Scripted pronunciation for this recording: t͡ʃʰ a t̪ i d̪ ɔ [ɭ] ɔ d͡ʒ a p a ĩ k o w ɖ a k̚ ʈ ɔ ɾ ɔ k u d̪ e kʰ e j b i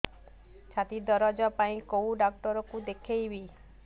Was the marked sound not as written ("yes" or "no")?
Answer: yes